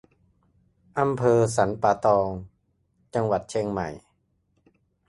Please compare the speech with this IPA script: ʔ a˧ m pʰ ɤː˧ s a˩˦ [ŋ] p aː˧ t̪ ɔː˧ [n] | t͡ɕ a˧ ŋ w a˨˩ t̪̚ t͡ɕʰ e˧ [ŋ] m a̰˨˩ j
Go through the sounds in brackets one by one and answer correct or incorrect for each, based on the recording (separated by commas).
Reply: incorrect, incorrect, correct